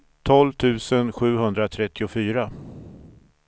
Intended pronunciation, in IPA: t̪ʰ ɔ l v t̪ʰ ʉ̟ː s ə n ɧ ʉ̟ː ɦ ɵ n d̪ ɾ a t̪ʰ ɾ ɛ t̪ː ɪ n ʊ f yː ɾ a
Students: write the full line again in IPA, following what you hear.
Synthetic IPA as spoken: t̪ʰ ɔ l v t̪ʰ ʉ̟ː s ə n ɧ ʉ̟ː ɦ ɵ n d̪ ɾ a t̪ʰ ɾ ɛ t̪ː ɪ ʊ f yː ɾ a